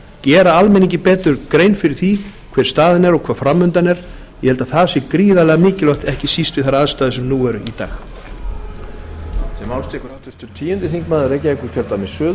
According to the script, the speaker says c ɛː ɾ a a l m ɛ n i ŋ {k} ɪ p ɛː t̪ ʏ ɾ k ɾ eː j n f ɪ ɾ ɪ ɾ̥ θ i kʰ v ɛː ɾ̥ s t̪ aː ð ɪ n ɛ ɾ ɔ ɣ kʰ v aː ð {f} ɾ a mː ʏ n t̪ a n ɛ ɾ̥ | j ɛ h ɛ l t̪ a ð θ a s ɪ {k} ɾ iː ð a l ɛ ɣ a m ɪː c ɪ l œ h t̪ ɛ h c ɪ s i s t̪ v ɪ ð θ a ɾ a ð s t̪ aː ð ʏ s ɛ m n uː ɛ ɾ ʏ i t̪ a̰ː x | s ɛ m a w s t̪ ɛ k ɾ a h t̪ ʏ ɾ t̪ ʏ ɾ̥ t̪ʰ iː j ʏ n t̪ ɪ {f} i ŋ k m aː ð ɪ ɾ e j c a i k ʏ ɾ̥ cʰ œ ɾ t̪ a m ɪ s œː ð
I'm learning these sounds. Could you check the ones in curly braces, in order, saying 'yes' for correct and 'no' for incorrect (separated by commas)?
no, yes, yes, no